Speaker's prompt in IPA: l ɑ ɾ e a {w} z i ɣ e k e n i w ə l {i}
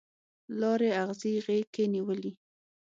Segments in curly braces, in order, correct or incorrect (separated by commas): incorrect, correct